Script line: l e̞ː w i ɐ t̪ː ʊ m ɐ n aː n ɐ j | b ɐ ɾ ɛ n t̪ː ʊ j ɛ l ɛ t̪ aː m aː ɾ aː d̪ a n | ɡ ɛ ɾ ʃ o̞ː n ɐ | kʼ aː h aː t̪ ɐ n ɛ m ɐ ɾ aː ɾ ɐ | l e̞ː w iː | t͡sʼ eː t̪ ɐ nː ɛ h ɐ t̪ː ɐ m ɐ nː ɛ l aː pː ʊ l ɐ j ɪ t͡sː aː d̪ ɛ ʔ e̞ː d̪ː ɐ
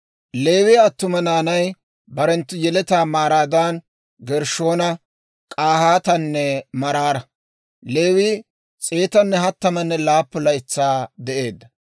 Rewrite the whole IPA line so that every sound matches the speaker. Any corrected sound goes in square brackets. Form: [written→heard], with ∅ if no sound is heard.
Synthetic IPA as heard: l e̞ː w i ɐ t̪ː ʊ m ɐ n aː n ɐ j | b ɐ ɾ ɛ n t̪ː ʊ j ɛ l ɛ t̪ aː m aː ɾ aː d̪ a n | ɡ ɛ ɾ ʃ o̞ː n ɐ | kʼ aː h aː t̪ ɐ [n→nː] ɛ m ɐ ɾ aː ɾ ɐ | l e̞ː w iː | t͡sʼ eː t̪ ɐ nː ɛ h ɐ t̪ː ɐ m ɐ nː ɛ l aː pː ʊ l ɐ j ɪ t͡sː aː d̪ ɛ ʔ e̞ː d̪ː ɐ